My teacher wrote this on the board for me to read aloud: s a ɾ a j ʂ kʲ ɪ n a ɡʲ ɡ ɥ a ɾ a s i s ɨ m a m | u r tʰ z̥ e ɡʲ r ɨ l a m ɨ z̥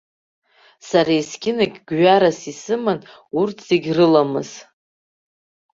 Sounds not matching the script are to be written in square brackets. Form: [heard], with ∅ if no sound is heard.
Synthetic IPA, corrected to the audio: s a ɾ a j [s] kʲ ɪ n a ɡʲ ɡ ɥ a ɾ a s i s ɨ m a [n] | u r tʰ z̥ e ɡʲ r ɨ l a m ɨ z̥